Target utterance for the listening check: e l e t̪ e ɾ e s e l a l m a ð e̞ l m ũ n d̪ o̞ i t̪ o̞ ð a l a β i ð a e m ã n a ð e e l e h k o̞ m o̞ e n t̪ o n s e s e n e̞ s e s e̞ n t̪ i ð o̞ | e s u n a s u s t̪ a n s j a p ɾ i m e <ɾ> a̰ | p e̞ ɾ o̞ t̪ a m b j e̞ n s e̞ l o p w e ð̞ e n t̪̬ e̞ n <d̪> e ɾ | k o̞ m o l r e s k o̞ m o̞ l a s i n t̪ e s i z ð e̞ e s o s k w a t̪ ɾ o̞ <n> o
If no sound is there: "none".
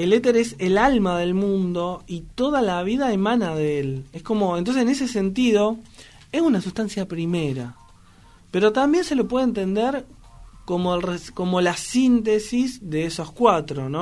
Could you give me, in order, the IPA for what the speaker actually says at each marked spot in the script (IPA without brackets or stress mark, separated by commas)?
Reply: ɾ, d̪, n